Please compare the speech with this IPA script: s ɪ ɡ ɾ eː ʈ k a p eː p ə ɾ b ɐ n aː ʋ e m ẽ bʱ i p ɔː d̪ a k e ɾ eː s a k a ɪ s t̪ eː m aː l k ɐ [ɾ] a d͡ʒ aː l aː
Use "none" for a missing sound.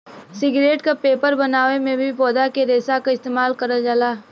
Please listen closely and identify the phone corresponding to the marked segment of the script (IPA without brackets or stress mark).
ɾ